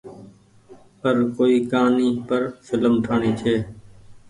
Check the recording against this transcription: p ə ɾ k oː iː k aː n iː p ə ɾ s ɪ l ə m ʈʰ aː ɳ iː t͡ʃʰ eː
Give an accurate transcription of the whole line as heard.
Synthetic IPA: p ə ɾ k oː iː k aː n iː p ə ɾ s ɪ l ə m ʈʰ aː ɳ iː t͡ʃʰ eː